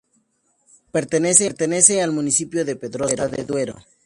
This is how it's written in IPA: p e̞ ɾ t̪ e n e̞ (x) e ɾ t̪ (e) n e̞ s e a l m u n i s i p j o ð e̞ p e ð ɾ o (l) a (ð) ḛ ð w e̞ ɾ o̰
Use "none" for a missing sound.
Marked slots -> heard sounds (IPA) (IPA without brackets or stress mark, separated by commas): s, e, ɾ, ð